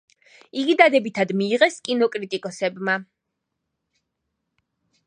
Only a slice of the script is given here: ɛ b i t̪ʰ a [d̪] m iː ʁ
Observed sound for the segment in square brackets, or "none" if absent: d̪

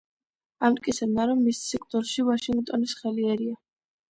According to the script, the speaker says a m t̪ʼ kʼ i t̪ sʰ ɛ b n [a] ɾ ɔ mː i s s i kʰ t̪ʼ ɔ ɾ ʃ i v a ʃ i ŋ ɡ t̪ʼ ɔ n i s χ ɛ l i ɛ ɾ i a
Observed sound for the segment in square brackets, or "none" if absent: a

